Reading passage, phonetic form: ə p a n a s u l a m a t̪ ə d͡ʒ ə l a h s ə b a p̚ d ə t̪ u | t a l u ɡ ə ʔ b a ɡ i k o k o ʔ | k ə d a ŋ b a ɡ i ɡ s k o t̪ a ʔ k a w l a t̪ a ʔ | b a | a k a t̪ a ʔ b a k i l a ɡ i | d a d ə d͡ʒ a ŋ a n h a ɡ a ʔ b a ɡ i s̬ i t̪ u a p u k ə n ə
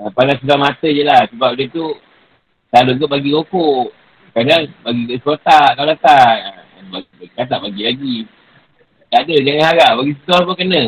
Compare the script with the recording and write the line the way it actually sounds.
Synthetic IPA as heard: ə p a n a s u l a m a t̪ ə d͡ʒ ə l a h s ə b a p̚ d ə t̪ u | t a l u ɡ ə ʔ b a ɡ i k o k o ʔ | k a d a ŋ b a ɡ i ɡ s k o t̪ a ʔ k a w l a t̪ a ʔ | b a | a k a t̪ a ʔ b a ɡ i l a ɡ i | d a d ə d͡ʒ a ŋ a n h a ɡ a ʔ b a ɡ i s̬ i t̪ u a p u k ə n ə